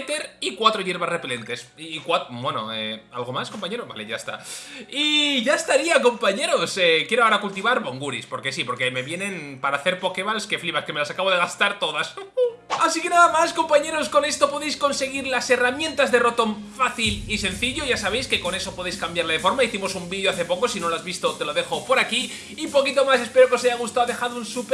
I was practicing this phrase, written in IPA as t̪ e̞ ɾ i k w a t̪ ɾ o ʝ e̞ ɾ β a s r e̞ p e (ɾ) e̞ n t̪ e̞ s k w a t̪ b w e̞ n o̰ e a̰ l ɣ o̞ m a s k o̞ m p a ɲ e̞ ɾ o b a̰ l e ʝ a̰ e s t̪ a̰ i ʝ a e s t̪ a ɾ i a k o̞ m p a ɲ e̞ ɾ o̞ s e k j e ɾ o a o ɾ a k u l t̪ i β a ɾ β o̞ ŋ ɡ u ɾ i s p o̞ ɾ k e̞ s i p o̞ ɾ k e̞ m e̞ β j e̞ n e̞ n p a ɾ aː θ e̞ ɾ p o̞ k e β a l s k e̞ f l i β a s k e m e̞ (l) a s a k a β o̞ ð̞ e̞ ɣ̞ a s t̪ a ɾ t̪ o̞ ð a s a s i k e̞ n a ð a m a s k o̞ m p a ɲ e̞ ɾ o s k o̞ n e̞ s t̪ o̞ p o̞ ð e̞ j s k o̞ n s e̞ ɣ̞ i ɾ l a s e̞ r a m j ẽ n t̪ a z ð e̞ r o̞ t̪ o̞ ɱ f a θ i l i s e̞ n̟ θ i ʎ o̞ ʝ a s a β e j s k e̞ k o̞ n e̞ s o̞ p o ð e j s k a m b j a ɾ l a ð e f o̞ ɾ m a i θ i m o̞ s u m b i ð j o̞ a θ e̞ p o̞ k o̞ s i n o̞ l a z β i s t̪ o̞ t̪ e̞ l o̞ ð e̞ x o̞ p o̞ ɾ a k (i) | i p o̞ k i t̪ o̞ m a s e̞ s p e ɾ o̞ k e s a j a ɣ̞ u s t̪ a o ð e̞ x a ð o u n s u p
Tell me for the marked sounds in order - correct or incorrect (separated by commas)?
incorrect, correct, correct